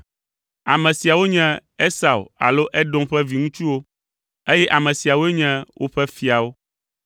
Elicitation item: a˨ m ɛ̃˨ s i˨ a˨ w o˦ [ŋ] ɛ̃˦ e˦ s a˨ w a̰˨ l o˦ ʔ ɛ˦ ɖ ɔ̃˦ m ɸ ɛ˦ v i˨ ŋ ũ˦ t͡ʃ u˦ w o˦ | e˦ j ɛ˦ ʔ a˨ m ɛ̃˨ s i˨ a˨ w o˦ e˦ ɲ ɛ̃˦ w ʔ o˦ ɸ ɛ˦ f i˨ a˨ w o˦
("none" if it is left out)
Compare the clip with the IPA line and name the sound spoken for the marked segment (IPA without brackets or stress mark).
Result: ɲ